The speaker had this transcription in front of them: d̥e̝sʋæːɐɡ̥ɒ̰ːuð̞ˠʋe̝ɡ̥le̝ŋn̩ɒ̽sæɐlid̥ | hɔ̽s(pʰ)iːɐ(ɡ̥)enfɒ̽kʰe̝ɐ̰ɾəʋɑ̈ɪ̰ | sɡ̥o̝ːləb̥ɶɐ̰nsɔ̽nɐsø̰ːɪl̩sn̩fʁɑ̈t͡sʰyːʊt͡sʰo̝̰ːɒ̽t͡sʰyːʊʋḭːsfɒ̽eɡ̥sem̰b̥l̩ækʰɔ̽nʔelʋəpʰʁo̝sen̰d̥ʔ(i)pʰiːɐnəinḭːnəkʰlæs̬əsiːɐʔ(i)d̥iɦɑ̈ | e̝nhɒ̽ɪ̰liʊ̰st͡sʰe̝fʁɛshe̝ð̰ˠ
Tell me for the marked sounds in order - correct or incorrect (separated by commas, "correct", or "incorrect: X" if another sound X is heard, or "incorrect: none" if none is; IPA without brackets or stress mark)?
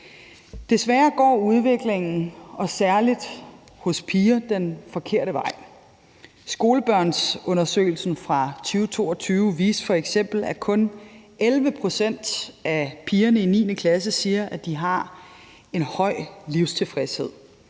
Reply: correct, incorrect: d̥, incorrect: æ, incorrect: æ